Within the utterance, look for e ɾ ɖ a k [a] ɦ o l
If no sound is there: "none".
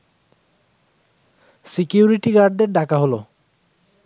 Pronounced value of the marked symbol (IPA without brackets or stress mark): a